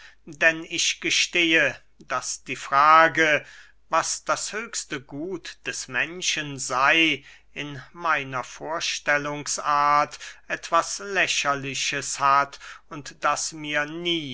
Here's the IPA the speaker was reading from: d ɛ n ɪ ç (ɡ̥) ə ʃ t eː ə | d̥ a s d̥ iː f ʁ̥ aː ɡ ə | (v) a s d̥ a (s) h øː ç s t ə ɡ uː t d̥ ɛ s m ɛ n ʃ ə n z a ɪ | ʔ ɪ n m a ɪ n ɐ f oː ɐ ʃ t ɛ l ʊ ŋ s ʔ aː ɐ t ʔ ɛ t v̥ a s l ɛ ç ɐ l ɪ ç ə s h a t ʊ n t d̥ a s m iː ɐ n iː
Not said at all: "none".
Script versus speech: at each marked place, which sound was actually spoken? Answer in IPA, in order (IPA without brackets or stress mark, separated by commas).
ɡ̥, v, s